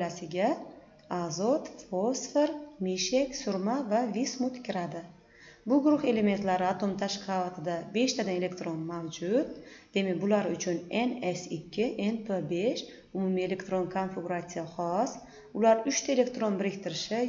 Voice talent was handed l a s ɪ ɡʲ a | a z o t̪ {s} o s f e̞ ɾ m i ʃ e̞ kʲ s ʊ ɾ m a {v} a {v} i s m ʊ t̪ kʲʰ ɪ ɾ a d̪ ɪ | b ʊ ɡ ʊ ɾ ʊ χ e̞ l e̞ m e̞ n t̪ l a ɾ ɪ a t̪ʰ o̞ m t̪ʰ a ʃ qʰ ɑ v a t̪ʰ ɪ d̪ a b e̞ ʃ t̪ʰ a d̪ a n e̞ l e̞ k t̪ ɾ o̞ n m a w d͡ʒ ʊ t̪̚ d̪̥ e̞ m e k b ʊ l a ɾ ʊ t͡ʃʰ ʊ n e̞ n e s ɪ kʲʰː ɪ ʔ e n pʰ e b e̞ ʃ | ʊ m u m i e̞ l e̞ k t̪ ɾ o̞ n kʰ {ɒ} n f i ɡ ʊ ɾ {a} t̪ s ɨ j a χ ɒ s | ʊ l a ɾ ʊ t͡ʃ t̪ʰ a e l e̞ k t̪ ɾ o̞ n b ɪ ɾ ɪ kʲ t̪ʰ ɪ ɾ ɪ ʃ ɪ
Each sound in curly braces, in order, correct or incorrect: incorrect, correct, correct, incorrect, correct

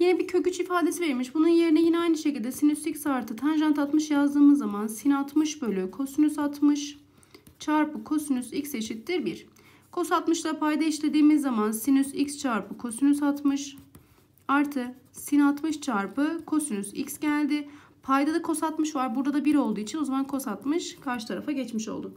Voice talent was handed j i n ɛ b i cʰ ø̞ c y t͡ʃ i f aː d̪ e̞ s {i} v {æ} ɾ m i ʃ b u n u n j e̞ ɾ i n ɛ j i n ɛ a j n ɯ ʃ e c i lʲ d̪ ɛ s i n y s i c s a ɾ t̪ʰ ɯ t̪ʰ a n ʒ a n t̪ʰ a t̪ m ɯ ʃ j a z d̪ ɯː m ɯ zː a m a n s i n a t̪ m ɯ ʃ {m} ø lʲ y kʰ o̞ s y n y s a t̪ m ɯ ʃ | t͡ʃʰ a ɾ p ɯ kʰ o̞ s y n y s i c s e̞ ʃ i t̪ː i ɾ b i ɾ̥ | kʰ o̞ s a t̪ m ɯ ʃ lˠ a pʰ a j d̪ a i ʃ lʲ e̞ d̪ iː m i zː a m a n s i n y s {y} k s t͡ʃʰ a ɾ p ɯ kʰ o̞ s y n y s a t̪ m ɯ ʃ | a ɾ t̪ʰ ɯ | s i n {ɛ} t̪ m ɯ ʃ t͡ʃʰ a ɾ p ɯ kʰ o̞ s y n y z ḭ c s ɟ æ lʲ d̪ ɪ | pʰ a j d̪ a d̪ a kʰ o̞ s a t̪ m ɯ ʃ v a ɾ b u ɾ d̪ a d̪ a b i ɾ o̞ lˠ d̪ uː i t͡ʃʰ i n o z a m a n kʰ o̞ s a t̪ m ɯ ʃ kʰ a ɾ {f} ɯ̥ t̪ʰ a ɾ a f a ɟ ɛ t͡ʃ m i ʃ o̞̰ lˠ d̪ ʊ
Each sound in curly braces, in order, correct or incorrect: correct, incorrect, incorrect, incorrect, incorrect, incorrect

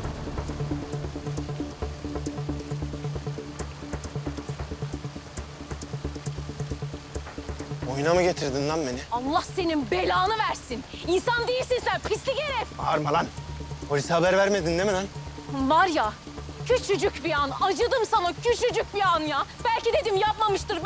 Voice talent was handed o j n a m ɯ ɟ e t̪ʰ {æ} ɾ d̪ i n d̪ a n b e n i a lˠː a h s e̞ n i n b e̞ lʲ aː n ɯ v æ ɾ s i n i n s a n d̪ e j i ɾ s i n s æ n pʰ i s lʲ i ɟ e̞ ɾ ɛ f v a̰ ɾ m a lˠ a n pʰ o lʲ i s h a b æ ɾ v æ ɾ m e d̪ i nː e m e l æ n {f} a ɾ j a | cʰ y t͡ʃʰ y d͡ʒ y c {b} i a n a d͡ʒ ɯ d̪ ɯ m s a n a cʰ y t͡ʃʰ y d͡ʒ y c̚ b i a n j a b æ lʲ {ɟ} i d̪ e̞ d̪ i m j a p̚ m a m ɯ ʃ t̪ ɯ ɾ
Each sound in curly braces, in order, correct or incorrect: incorrect, incorrect, correct, incorrect

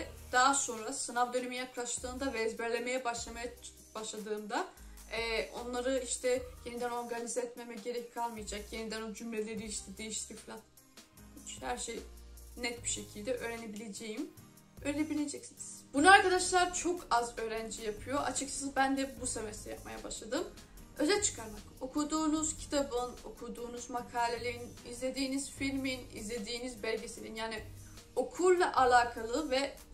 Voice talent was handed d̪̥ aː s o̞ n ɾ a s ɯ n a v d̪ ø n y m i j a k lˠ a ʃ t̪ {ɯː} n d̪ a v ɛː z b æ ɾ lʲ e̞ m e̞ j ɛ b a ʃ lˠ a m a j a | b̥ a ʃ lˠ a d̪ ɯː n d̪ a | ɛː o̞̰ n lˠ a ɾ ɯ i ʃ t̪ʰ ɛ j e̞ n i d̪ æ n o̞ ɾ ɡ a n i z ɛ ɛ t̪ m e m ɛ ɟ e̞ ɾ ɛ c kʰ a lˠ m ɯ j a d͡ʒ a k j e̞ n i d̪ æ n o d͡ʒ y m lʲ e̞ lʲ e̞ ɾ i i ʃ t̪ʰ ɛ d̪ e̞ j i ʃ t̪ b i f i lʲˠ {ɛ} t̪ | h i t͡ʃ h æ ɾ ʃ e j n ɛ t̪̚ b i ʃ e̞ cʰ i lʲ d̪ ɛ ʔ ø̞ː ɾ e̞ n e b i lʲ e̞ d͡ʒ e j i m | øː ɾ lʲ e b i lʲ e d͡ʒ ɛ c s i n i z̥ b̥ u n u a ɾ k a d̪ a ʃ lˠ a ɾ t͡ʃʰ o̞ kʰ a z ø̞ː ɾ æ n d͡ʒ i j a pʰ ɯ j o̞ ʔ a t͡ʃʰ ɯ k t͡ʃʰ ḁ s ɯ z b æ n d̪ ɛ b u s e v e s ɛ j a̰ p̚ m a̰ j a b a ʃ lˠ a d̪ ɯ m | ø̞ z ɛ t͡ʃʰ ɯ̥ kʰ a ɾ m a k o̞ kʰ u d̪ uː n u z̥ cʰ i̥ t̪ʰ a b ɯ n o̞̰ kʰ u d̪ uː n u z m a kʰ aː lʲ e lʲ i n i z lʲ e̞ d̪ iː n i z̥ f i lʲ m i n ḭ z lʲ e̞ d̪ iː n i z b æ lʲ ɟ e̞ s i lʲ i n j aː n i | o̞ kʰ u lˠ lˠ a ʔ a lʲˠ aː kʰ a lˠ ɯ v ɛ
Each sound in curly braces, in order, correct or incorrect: correct, incorrect

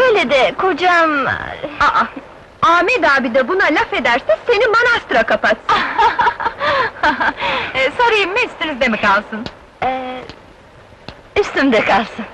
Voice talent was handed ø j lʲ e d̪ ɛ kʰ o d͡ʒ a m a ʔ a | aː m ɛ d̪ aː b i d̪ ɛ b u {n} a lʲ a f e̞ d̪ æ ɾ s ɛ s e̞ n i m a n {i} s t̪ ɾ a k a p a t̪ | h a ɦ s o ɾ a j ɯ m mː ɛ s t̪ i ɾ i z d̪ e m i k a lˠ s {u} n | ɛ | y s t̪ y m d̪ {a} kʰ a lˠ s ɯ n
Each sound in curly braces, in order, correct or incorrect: correct, incorrect, incorrect, incorrect

